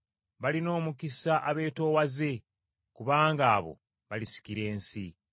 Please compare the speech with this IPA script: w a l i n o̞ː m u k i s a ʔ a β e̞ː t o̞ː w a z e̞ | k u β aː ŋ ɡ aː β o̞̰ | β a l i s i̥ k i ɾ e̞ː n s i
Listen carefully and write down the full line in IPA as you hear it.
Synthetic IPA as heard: β a l i n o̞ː m u k i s a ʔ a β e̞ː t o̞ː w a z e̞ | k u β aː ŋ ɡ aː β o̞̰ | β a l i s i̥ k i ɾ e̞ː n s i